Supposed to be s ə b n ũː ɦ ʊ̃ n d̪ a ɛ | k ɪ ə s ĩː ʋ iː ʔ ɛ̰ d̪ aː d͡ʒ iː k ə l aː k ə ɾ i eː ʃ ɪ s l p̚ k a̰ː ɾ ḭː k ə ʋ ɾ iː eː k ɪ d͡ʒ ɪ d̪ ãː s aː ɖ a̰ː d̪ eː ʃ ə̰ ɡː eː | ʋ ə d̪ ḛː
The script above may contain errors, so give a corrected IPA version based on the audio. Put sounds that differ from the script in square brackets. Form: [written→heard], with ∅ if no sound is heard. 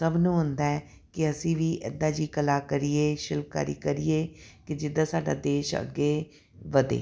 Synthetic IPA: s ə b n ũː ɦ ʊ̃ n d̪ a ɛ | k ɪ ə s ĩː ʋ iː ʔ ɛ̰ d̪ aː d͡ʒ iː k ə l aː k ə ɾ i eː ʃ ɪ [s→∅] l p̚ k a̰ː ɾ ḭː k ə [ʋ→∅] ɾ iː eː k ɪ d͡ʒ ɪ d̪ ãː s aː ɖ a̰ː d̪ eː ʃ ə̰ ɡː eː | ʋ ə d̪ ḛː